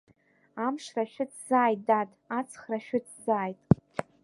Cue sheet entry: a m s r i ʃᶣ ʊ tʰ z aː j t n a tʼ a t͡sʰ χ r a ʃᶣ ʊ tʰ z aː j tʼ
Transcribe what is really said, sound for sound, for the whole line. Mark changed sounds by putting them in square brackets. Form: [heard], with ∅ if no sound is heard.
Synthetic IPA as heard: a m [ʂ] r [a] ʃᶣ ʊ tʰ z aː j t [d] a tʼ a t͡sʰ χ r a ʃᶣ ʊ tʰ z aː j tʼ

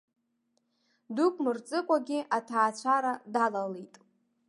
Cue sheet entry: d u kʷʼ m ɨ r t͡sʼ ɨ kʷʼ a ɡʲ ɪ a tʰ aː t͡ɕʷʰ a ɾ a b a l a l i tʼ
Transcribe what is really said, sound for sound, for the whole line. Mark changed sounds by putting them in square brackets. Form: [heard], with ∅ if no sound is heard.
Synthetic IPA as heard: d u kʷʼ m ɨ r t͡sʼ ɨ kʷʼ a ɡʲ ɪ a tʰ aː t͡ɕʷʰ a ɾ a [d] a l a l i tʼ

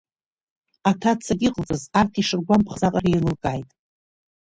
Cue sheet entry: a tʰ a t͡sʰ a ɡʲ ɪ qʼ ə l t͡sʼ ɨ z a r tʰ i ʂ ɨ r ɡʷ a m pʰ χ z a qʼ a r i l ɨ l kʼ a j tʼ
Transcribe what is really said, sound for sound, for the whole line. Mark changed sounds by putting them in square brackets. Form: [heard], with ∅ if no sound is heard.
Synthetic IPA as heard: a tʰ a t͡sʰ a ɡʲ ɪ qʼ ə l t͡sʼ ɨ z a r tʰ i ʂ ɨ r ɡʷ a m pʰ χ z a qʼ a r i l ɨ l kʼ a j tʼ

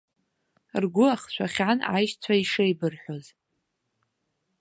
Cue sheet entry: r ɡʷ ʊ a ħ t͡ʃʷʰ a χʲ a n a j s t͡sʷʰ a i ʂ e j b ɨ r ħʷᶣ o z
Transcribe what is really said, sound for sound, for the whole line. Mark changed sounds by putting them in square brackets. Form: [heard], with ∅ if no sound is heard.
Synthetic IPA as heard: r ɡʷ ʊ a [χ] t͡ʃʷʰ a χʲ a n a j [ʃ] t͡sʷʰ a i ʂ e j b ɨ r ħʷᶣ o z

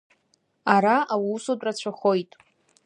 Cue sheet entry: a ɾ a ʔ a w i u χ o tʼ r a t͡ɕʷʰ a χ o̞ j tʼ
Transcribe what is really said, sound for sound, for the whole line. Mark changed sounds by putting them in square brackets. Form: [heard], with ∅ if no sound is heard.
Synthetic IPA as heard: a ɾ a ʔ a w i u [s] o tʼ r a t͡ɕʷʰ a χ o̞ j tʼ

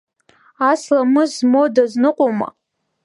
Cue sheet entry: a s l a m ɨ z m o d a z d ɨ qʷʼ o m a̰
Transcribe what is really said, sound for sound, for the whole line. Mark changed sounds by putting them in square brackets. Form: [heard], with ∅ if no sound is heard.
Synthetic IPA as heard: a s l a m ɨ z m o d a z [n] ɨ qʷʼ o m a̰

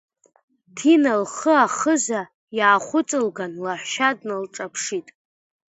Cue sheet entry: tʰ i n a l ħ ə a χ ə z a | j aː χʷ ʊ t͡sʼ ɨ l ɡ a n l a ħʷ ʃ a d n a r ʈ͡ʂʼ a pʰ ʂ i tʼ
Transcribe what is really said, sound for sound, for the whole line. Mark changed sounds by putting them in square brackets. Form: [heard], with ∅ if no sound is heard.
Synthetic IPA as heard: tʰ i n a l [χ] ə a χ ə z a | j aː χʷ ʊ t͡sʼ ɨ l ɡ a n l a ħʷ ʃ a d n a [l] ʈ͡ʂʼ a pʰ ʂ i tʼ

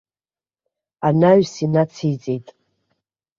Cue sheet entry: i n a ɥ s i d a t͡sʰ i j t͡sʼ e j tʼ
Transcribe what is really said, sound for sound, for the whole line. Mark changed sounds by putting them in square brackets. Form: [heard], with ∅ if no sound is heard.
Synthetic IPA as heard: [a] n a ɥ s i [n] a t͡sʰ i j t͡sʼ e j tʼ

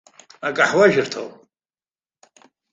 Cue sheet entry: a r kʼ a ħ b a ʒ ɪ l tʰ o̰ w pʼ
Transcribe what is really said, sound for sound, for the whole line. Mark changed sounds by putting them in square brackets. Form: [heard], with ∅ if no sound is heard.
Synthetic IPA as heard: a [∅] kʼ a ħ [w] a ʒ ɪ [r] tʰ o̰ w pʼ

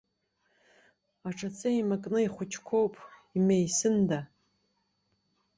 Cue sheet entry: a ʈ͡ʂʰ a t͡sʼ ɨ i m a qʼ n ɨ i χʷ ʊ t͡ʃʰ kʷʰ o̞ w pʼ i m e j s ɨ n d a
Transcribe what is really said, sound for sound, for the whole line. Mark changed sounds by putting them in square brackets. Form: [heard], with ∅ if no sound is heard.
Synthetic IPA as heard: a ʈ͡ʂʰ a t͡sʼ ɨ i m a [kʼ] n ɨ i χʷ ʊ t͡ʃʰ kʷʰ o̞ w pʼ i m e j s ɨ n d a

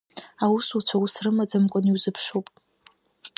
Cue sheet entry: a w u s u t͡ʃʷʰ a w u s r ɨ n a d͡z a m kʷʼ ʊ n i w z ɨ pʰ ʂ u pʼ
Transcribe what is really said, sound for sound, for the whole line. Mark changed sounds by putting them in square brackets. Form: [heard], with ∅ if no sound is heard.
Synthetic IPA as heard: a w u s u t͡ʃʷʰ a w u s r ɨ [m] a d͡z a m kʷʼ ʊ n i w z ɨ pʰ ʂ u pʼ

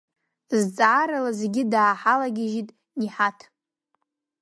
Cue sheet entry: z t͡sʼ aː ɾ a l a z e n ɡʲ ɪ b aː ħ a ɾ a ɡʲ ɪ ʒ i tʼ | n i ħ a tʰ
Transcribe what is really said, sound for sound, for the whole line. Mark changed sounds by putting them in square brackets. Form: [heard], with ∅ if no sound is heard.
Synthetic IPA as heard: z t͡sʼ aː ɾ a l a z e [∅] ɡʲ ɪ [d] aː ħ a [l] a ɡʲ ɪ ʒ i tʼ | n i ħ a tʰ

